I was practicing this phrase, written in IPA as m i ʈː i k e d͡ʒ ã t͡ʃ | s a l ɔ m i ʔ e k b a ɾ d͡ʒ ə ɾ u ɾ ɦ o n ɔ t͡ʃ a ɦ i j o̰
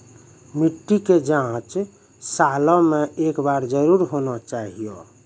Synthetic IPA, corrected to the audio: m i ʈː i k e d͡ʒ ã t͡ʃ | s a l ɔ m e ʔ e k b a ɾ d͡ʒ ə ɾ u ɾ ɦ o n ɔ t͡ʃ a ɦ i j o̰